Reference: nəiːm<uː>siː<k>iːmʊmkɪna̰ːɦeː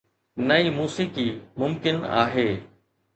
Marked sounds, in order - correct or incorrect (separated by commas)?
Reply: correct, correct